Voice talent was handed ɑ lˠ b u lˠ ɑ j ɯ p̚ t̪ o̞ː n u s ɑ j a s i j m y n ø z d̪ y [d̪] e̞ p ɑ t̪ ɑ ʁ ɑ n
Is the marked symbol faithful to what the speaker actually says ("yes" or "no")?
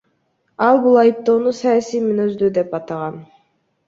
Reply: yes